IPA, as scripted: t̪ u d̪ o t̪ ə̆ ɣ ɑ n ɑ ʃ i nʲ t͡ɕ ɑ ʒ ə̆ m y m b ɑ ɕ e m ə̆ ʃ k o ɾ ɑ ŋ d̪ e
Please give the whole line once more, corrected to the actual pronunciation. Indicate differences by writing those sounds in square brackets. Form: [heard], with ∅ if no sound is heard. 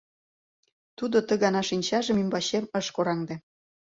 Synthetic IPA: t̪ u d̪ o t̪ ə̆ ɣ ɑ n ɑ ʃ i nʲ t͡ɕ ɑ ʒ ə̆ m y m b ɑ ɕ e m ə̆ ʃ k o ɾ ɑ ŋ d̪ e